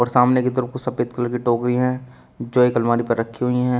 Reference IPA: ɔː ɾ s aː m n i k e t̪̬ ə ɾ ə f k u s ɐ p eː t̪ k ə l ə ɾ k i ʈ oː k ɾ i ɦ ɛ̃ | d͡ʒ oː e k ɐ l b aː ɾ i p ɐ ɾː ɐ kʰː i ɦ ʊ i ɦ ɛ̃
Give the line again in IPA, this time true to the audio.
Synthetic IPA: ɔː ɾ s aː m n e k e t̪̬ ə ɾ ə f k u s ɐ p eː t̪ k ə l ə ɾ k i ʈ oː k ɾ i ɦ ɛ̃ | d͡ʒ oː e k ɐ l m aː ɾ i p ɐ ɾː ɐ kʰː i ɦ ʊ i ɦ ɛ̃